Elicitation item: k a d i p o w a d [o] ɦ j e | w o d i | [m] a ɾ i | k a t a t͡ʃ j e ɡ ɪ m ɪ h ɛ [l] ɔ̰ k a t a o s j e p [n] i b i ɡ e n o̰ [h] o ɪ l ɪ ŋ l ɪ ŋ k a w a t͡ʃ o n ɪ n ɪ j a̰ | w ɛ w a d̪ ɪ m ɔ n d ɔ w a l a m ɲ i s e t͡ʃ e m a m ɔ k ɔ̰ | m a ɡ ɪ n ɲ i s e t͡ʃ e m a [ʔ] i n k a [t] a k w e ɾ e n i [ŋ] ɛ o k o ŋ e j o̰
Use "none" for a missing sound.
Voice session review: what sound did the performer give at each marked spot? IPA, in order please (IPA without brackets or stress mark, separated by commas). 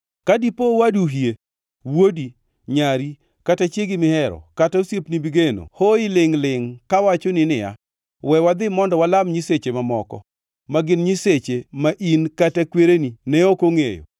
u, ɲ, ɾ, n, h, ʔ, t, n